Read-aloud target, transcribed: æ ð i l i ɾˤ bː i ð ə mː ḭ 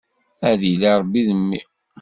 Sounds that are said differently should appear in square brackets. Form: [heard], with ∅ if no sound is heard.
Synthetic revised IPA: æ ð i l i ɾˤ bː i ð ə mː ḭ